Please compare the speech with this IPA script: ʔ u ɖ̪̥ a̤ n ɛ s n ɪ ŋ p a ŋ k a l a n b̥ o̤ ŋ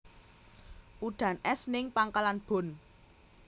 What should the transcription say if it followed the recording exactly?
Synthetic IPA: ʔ u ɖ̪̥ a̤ n ɛ s n ɪ ŋ p a ŋ k a l a n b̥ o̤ n